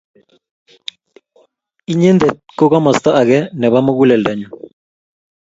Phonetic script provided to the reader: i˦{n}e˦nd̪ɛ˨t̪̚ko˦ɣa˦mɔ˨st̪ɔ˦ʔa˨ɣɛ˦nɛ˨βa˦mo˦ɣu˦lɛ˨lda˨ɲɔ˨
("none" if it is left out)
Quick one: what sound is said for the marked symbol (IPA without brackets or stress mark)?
ɲ